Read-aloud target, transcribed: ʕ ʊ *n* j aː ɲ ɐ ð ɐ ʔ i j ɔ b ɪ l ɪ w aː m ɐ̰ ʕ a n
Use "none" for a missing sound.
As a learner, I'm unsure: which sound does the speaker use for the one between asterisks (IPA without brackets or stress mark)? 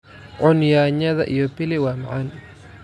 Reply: n